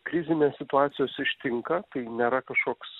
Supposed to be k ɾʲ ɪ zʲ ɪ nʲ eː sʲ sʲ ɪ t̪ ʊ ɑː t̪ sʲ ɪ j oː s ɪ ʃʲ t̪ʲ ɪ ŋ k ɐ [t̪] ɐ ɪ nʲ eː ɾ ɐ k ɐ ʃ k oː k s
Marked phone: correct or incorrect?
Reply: correct